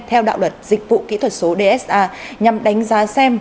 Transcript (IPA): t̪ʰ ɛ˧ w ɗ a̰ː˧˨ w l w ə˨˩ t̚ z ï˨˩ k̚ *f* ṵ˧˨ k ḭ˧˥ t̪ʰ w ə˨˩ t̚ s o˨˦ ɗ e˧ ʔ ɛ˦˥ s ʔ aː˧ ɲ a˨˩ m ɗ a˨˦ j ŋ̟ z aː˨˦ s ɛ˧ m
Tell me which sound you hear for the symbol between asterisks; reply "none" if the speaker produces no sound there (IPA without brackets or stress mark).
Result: v